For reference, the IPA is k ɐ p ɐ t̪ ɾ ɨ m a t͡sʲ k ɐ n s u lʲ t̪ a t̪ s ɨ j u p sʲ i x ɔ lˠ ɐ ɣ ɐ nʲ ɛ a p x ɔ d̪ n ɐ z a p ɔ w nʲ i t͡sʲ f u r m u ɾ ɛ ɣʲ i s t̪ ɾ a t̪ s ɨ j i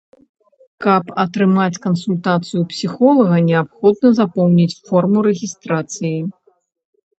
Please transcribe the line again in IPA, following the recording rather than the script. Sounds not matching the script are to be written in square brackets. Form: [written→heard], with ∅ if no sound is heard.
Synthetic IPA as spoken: k ɐ p ɐ t̪ ɾ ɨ m a t͡sʲ k ɐ n s u lʲ t̪ a t̪ s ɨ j u p sʲ i x ɔ lˠ ɐ ɣ ɐ nʲ ɛ a p x ɔ d̪ n ɐ z a p ɔ w nʲ i t͡sʲ f [u→ɔ] r m u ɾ ɛ ɣʲ i s t̪ ɾ a t̪ s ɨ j i